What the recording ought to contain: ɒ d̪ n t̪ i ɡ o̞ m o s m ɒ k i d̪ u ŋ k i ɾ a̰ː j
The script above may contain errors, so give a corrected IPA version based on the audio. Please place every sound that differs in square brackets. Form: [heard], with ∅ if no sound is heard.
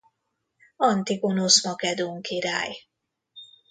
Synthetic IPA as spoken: ɒ [∅] n t̪ i ɡ o̞ [n] o s m ɒ k [ɛ] d̪ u ŋ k i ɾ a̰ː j

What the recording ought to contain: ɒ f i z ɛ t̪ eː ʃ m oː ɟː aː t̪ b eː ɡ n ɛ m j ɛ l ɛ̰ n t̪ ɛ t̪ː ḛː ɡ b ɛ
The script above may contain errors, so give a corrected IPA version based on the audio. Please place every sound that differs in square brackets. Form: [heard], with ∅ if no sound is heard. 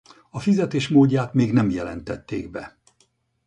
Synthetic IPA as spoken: ɒ f i z ɛ t̪ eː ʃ m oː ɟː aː t̪ [m] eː ɡ n ɛ m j ɛ l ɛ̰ n t̪ ɛ t̪ː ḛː ɡ b ɛ

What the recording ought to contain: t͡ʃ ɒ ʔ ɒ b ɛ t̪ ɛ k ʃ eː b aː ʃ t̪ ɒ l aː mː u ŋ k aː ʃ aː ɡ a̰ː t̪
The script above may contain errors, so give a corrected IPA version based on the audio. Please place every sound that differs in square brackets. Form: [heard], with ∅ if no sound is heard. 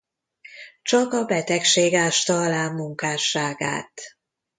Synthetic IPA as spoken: t͡ʃ ɒ [k] ɒ b ɛ t̪ ɛ k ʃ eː [ɡ] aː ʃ t̪ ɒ l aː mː u ŋ k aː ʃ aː ɡ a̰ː t̪

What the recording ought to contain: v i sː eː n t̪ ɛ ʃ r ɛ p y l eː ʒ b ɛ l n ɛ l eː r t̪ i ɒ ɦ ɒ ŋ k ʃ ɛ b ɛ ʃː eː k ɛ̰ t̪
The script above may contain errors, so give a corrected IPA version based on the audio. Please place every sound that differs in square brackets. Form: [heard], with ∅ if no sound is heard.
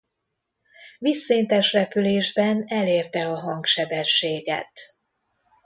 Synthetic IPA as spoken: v i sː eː n t̪ ɛ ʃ r ɛ p y l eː ʒ b ɛ [∅] n ɛ l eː r t̪ [ɛ] ɒ ɦ ɒ ŋ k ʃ ɛ b ɛ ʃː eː [ɡ] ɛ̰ t̪

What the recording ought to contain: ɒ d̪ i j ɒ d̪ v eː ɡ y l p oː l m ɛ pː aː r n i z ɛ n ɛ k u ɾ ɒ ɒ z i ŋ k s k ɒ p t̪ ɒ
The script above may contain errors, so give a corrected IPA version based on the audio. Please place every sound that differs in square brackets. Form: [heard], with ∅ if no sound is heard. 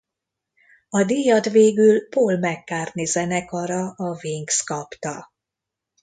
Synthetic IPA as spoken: ɒ d̪ i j ɒ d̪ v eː ɡ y l p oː l m ɛ [kː] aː r n i z ɛ n ɛ k [ɒ] ɾ ɒ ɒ [v] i ŋ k s k ɒ p t̪ ɒ

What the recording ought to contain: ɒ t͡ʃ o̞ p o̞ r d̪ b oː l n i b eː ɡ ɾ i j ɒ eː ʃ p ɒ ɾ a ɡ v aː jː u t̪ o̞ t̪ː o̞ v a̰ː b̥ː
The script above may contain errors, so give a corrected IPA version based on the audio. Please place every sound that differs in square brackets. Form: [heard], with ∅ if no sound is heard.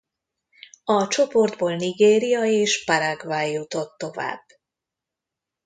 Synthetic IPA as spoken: ɒ t͡ʃ o̞ p o̞ r d̪ b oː l n i [ɡ] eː [∅] ɾ i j ɒ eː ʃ p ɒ ɾ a ɡ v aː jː u t̪ o̞ t̪ː o̞ v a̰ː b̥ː

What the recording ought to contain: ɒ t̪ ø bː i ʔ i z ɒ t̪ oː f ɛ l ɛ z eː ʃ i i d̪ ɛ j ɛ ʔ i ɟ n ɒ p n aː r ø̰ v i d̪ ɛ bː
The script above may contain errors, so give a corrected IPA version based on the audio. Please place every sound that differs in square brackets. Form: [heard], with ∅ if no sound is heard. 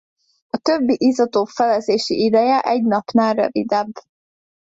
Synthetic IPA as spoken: ɒ t̪ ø bː i ʔ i z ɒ t̪ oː f ɛ l ɛ z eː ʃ i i d̪ ɛ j ɛ ʔ [ɛ] ɟ n ɒ p n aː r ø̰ v i d̪ ɛ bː

